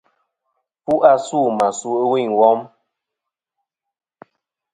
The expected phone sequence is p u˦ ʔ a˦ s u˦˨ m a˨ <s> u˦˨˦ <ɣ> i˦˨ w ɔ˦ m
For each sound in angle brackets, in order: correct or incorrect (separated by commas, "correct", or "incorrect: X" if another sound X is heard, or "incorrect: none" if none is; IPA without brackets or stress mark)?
correct, incorrect: w